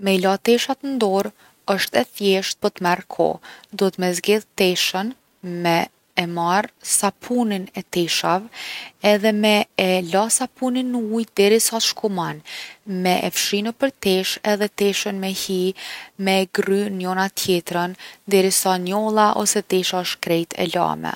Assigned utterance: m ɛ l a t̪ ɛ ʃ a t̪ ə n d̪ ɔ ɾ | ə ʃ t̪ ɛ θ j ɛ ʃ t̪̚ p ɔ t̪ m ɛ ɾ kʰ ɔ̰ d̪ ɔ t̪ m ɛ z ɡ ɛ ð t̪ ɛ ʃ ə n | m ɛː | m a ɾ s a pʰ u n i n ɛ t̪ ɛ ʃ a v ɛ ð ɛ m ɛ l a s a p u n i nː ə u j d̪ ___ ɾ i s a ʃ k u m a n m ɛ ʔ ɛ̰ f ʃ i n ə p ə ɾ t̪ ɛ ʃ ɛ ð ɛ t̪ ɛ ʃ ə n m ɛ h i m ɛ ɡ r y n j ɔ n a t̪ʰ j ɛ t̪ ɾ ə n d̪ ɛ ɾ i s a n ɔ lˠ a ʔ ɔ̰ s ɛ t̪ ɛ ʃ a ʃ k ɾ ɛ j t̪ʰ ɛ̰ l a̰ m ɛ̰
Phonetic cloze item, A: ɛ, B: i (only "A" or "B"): A